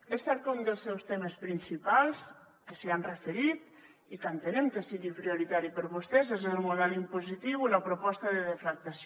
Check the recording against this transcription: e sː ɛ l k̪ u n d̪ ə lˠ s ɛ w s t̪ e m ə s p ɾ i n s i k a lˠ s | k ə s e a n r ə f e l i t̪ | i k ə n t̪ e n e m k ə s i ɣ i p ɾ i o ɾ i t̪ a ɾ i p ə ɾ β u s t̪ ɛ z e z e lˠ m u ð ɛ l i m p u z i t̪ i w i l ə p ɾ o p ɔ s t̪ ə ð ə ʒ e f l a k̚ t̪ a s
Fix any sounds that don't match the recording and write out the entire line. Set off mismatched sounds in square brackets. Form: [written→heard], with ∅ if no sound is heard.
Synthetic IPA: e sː ɛ [l→ɾ] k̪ u n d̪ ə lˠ s ɛ w s t̪ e m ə s p ɾ i n s i [k→p] a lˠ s | k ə s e a n r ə f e [l→ɾ] i t̪ | i k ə n t̪ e n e m k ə s i ɣ i p ɾ i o ɾ i t̪ a ɾ i p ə ɾ β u s t̪ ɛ z e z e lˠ m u ð ɛ l i m p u z i t̪ i w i l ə p ɾ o p ɔ s t̪ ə ð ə [ʒ→ð] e f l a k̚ t̪ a s